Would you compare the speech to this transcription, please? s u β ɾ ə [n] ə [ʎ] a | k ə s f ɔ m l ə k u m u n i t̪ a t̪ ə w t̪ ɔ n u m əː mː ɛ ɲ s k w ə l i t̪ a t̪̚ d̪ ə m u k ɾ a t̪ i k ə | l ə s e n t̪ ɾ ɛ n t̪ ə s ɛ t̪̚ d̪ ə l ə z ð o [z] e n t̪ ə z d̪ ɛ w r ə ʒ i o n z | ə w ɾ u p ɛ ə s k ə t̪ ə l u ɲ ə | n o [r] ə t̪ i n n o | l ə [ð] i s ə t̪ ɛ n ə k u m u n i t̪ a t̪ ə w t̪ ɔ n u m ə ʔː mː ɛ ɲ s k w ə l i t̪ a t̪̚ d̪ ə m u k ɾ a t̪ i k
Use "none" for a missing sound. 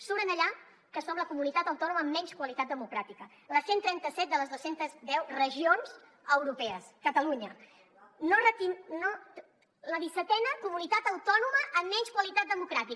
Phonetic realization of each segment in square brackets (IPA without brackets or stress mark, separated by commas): n, ʎ, s, r, ð